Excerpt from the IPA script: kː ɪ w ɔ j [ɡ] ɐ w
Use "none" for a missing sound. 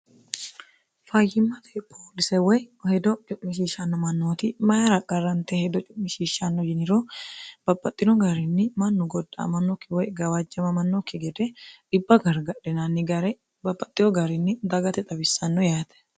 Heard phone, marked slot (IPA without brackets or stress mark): ɡ